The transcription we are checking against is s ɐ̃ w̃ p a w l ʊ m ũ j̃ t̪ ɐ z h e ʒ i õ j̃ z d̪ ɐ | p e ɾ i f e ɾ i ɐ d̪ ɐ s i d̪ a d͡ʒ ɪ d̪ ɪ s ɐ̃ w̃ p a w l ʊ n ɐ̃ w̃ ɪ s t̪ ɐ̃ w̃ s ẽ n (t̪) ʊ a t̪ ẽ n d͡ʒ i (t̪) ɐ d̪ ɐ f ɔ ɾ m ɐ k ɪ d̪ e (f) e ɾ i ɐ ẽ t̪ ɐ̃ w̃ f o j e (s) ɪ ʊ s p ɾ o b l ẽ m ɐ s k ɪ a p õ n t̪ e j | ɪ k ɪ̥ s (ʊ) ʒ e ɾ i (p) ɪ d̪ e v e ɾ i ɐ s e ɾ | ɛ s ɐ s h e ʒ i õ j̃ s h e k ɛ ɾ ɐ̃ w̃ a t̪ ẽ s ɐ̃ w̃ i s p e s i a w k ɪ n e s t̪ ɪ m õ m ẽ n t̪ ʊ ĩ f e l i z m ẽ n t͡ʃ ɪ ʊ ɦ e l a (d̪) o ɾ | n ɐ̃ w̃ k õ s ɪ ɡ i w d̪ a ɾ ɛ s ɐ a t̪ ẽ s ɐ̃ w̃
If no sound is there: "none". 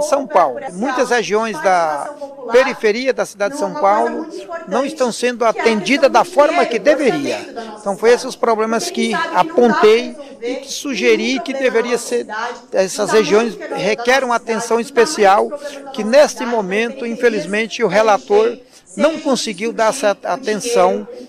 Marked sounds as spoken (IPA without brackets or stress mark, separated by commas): d̪, d̪, v, s, u, k, t̪